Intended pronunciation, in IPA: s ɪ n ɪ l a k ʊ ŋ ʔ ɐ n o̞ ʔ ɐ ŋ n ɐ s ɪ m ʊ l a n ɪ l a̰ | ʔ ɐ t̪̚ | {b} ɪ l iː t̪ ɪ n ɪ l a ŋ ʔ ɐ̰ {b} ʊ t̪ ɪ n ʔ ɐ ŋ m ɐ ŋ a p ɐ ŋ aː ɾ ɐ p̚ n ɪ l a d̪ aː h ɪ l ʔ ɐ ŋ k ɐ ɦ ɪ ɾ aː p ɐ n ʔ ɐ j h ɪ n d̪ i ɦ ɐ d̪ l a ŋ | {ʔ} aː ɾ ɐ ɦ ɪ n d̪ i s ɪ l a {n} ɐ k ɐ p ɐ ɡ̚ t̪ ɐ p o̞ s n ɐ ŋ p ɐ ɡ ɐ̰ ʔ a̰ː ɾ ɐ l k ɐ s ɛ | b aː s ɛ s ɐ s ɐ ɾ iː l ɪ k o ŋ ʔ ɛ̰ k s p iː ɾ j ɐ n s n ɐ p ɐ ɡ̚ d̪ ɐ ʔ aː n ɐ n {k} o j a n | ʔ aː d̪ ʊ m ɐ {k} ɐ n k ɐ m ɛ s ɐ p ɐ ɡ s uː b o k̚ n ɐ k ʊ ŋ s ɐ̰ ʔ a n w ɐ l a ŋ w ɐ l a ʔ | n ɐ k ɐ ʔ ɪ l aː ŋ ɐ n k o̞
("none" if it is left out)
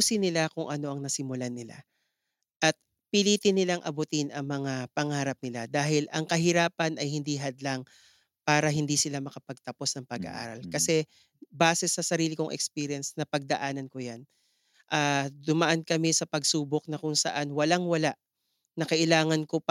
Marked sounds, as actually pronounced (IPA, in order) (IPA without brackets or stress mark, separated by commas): p, b, p, m, k, ʔ